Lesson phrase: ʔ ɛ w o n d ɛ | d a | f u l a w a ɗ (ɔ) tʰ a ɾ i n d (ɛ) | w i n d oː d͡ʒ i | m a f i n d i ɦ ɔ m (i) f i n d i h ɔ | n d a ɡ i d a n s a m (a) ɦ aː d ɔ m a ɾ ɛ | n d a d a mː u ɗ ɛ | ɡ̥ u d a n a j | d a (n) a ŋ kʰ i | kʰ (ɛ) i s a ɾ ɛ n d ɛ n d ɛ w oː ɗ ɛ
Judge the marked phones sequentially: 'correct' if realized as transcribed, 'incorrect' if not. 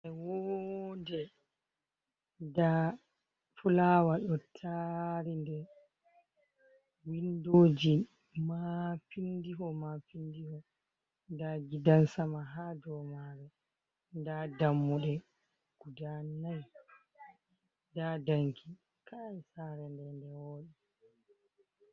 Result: correct, correct, incorrect, correct, incorrect, incorrect

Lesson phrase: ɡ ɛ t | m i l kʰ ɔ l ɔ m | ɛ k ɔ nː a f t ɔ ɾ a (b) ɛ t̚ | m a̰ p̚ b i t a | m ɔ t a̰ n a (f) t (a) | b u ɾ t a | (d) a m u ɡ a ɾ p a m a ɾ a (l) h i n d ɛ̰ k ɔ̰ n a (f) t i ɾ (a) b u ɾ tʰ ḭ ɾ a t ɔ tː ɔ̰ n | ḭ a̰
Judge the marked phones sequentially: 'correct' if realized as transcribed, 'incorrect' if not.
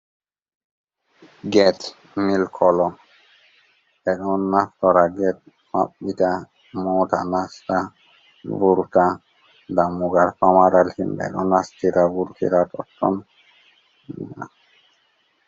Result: incorrect, incorrect, correct, correct, correct, incorrect, correct

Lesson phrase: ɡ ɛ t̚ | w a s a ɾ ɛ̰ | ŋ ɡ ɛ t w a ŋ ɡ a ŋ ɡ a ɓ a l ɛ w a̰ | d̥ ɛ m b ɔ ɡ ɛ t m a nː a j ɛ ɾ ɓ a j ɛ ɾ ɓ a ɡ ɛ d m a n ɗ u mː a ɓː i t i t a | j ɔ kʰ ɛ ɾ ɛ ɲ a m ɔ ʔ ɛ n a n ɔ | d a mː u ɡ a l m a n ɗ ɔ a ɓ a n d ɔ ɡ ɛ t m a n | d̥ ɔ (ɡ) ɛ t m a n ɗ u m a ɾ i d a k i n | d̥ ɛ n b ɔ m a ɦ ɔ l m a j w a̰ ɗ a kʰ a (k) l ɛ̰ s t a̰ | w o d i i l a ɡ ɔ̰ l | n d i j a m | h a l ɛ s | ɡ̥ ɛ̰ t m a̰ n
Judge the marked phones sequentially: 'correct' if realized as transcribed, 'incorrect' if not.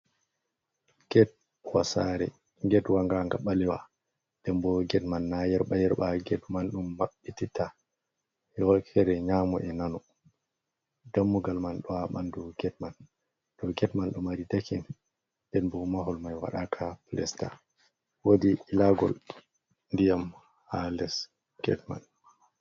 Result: correct, incorrect

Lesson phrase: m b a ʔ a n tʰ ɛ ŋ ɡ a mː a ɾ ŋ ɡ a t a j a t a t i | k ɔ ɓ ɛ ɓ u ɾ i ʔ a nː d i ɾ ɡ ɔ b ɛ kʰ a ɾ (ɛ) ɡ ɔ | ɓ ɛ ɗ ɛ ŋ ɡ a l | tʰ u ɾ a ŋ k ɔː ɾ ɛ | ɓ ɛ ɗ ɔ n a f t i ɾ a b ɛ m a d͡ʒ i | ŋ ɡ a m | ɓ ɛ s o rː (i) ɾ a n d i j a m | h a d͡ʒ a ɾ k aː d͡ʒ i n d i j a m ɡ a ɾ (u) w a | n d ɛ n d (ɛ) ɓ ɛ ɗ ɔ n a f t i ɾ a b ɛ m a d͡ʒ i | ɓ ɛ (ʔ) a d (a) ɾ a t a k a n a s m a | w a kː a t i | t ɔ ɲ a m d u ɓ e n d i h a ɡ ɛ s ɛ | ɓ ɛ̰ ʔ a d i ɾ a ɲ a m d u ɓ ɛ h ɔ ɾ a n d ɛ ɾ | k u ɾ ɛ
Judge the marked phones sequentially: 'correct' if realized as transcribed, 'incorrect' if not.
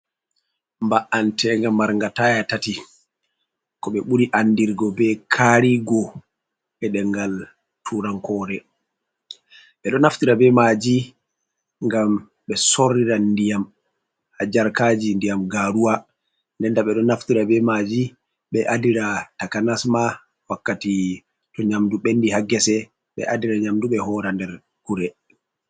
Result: incorrect, correct, correct, incorrect, correct, incorrect

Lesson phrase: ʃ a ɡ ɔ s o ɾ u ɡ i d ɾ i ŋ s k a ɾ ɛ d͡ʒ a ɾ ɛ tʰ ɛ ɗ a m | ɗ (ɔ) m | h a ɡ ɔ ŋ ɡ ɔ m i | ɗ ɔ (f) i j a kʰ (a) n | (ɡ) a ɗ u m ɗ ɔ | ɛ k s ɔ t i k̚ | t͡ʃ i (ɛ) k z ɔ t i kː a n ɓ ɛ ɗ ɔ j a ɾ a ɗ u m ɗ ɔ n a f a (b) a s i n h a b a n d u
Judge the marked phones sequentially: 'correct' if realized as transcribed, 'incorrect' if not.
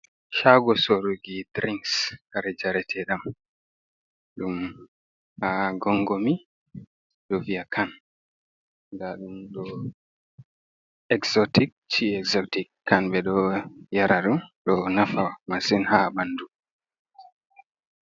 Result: incorrect, incorrect, correct, incorrect, correct, incorrect

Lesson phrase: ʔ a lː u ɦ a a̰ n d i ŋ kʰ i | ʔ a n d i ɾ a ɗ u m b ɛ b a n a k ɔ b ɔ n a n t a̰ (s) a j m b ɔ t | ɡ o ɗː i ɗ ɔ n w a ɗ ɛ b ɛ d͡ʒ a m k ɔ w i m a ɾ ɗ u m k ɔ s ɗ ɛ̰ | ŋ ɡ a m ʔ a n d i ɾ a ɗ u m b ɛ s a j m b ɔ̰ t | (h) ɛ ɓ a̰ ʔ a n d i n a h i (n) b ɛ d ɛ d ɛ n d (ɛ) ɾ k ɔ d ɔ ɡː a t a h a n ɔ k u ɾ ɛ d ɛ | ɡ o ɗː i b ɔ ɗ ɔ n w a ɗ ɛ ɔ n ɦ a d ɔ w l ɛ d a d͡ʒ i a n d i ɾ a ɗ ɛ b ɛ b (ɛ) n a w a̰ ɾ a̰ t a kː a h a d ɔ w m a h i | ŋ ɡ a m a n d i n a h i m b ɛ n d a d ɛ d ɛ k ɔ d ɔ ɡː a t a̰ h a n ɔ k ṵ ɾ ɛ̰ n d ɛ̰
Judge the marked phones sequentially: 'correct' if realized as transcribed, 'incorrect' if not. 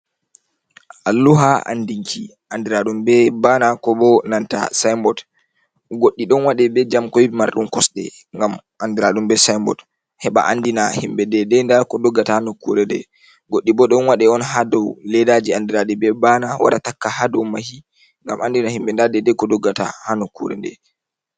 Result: correct, correct, incorrect, incorrect, incorrect

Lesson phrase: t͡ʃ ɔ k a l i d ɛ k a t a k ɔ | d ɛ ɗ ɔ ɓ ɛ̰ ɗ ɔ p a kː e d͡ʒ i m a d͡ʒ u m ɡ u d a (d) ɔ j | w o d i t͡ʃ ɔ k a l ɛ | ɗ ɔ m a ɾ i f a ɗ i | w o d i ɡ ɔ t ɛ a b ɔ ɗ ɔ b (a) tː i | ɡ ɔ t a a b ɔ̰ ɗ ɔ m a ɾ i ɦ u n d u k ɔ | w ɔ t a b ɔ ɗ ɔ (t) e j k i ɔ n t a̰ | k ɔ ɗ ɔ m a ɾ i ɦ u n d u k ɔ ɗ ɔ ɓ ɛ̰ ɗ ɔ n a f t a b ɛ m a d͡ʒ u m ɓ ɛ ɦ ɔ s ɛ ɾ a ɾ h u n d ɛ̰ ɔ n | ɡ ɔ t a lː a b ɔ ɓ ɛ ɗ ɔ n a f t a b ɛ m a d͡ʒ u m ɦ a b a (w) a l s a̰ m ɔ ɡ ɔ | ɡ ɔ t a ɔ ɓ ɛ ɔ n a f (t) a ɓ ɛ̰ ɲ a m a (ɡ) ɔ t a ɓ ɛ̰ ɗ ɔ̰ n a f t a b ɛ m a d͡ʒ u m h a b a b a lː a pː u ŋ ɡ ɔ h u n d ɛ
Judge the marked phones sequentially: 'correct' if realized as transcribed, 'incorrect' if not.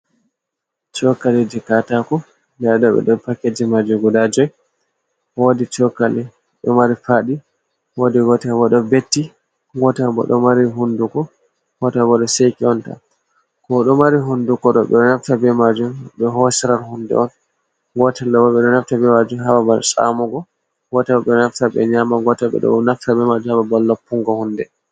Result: incorrect, incorrect, incorrect, incorrect, correct, correct

